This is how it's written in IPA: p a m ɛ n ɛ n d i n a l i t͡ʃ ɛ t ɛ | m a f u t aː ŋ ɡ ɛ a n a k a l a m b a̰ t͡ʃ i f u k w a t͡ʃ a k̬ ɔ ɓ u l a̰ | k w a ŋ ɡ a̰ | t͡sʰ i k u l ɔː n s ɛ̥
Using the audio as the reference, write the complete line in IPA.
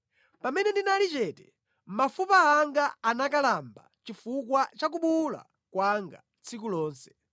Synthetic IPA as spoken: p a m ɛ n ɛ n d i n a l i t͡ʃ ɛ t ɛ | m a f u p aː ŋ ɡ a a n a k a l a m b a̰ t͡ʃ i f u k w a t͡ʃ a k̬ u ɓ u l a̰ | k w a ŋ ɡ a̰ | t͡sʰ i k u l ɔː n s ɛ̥